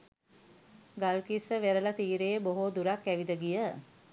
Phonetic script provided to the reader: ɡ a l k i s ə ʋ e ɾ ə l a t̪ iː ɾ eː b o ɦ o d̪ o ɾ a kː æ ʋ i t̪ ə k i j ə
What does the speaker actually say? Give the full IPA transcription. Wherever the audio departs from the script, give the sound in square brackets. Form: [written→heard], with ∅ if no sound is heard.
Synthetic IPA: ɡ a l k i s ə ʋ e ɾ ə l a t̪ iː ɾ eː b o ɦ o d̪ [o→u] ɾ a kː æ ʋ i [t̪→d̪] ə [k→ɡ] i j ə